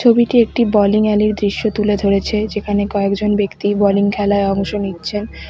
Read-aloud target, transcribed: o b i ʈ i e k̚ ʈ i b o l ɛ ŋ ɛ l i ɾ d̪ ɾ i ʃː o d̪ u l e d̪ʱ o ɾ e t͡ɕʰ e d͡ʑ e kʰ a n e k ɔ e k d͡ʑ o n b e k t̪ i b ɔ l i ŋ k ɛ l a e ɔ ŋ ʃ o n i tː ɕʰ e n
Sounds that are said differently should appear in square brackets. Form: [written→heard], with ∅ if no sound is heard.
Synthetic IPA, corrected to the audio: o b i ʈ i e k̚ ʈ i b [o→ɔ] l [ɛ→i] ŋ ɛ l i ɾ d̪ ɾ i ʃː o [d̪→t̪] u l e d̪ʱ o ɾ e t͡ɕʰ e d͡ʑ e kʰ a n e k ɔ e k d͡ʑ o n b e k t̪ i b ɔ l i ŋ [k→kʰ] ɛ l a e ɔ ŋ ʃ o n i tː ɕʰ e n